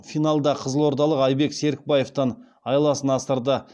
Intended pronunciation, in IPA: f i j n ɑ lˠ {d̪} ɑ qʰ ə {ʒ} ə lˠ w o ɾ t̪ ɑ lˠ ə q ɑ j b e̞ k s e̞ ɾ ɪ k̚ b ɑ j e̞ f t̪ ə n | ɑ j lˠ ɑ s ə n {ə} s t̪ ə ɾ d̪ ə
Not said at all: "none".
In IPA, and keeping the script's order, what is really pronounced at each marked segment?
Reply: d̪, z, ɑ

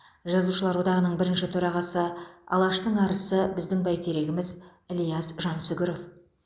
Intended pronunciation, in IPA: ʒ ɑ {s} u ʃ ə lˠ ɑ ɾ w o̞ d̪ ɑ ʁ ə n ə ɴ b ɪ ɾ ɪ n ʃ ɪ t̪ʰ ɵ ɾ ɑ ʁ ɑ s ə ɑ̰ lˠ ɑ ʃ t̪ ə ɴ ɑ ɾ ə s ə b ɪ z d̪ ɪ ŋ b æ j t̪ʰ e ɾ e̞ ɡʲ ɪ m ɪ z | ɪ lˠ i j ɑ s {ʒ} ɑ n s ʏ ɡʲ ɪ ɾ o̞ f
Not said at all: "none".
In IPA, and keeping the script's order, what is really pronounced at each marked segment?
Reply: z, ʒ

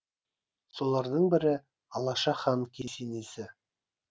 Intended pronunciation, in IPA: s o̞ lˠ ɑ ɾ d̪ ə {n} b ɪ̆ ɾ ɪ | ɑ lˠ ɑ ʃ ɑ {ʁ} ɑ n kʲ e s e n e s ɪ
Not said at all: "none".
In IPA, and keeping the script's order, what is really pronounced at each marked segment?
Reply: ɴ, χ

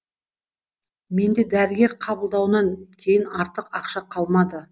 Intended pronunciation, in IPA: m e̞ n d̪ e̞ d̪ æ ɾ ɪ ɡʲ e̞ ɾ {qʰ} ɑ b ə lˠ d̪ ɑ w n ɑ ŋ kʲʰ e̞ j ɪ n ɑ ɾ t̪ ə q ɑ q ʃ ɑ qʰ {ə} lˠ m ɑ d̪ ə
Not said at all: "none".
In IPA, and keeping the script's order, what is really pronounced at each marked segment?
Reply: qʰ, ɑ

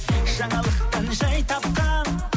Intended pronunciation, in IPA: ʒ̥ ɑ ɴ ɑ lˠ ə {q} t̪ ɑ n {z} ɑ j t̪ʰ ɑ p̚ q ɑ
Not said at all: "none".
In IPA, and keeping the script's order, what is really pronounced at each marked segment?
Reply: q, ʒ

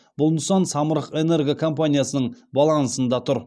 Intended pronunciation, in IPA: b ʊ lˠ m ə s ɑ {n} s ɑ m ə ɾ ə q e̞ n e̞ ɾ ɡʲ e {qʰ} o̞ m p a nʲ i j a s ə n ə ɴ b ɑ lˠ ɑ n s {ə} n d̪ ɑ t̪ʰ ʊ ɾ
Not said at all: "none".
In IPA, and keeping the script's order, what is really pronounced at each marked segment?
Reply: n, kʰ, ə

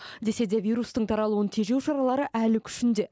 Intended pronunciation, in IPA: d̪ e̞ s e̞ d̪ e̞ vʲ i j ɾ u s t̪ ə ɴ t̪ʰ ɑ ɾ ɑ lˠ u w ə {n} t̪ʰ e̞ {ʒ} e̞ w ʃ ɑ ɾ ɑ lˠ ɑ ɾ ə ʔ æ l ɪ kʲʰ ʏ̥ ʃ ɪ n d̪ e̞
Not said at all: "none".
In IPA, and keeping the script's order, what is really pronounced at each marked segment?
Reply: n, ʒ

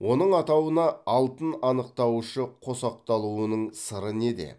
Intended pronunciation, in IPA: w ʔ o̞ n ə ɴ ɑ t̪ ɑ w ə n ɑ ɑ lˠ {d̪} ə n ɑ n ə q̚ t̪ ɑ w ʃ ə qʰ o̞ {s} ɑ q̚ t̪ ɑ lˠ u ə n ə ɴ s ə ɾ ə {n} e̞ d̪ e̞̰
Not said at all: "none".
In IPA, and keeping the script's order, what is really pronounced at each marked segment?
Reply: t̪, s, n

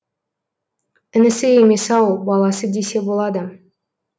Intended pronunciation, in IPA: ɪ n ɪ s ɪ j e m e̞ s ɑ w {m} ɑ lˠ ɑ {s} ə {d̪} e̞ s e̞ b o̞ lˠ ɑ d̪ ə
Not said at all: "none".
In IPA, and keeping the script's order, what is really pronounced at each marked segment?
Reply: b, s, d̪

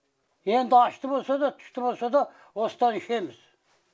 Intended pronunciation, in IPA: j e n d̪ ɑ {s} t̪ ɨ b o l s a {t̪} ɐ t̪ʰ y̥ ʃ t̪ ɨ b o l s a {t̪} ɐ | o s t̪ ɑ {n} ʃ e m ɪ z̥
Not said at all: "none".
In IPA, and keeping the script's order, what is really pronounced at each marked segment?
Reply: ʃ, d̪, d̪, n

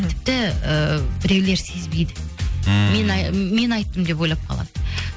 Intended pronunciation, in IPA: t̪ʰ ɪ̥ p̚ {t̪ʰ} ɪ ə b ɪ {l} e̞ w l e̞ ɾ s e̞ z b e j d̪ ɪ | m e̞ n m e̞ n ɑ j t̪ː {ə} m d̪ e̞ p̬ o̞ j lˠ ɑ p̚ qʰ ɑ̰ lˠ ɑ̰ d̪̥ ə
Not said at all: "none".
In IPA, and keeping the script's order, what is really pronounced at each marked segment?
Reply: t̪, ɾ, ə

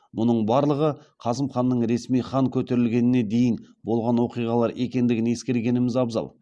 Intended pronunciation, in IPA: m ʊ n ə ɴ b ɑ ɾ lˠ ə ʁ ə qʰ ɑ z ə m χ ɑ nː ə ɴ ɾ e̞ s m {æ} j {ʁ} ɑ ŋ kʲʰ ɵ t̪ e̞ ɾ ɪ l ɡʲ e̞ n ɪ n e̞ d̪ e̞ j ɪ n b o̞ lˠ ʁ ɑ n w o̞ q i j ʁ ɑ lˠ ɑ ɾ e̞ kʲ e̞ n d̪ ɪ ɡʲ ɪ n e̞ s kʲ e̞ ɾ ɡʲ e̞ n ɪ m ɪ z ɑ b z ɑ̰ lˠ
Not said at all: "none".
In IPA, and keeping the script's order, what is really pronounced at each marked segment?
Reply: i, χ

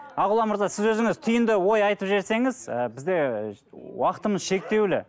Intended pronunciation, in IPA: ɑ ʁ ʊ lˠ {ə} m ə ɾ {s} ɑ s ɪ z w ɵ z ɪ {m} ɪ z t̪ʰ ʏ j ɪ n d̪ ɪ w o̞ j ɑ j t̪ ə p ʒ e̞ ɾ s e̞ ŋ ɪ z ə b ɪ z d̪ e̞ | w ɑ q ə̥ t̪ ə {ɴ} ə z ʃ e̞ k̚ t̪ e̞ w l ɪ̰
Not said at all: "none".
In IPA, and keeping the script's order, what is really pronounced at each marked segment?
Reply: ɑ, z, ŋ, m

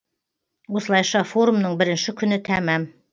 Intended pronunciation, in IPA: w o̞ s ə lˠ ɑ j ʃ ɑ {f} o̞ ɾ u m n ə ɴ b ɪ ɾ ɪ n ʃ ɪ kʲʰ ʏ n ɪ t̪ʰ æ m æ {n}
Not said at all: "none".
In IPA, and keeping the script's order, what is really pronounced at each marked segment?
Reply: f, m

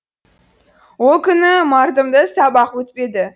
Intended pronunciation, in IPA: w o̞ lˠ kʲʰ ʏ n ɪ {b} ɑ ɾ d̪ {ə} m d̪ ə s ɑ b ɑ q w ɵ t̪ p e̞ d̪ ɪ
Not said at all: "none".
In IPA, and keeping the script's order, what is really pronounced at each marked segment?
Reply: m, ə

